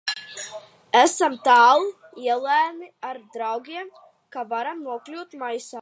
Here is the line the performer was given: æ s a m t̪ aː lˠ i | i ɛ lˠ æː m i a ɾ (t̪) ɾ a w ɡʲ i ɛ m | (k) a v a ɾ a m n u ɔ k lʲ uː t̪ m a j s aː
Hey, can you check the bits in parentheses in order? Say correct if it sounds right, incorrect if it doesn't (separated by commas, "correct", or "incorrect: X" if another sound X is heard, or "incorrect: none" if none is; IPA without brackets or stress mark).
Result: incorrect: d̪, correct